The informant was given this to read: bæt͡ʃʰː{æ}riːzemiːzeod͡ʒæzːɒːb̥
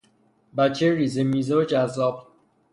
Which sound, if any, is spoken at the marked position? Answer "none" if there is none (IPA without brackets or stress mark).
e